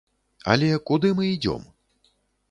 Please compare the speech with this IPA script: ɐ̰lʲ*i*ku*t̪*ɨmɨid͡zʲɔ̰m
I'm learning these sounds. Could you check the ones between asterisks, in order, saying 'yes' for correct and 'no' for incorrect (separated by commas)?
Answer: no, no